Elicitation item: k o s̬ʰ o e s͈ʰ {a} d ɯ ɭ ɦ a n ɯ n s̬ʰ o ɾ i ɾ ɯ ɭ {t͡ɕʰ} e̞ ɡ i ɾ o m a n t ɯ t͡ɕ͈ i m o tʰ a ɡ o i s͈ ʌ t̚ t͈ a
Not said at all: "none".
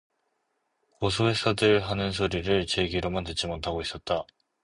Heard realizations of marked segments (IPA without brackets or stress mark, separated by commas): ʌ, t͡ɕ